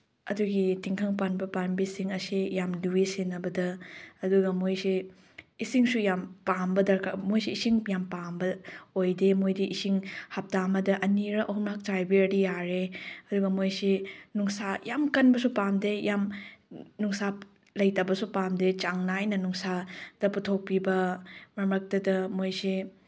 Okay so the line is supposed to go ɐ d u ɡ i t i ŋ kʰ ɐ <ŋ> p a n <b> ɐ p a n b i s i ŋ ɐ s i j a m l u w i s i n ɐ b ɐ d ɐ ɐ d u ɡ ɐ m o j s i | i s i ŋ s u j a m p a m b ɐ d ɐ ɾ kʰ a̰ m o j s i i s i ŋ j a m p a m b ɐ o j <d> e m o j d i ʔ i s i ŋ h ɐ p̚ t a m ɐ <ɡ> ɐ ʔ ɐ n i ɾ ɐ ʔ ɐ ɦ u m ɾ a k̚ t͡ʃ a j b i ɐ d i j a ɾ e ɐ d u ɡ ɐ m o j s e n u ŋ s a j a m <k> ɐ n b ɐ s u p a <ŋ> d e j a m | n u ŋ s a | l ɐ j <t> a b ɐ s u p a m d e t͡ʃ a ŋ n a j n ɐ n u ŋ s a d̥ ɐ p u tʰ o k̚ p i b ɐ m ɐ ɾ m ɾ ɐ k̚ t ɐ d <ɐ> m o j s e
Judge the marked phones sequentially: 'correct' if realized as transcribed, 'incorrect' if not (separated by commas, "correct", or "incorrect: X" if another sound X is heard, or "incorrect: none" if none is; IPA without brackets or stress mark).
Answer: correct, correct, correct, incorrect: d, correct, incorrect: m, correct, correct